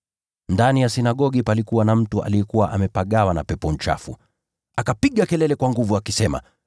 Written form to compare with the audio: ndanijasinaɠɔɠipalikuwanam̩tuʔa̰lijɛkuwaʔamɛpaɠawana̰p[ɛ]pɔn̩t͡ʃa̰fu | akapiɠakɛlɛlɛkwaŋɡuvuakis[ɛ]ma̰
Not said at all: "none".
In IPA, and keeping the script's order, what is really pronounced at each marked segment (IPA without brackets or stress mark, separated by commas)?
ɛ, ɛ